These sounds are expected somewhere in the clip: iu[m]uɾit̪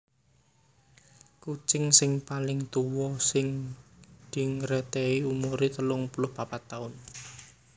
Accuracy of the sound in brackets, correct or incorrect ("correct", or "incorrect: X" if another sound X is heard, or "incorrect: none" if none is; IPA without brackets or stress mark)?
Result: correct